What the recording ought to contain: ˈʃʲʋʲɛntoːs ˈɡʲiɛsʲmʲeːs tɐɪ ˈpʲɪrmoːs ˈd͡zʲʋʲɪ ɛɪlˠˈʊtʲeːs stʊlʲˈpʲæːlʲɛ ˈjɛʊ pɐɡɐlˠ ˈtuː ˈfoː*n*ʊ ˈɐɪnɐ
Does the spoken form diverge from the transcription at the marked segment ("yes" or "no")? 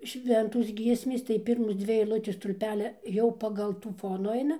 no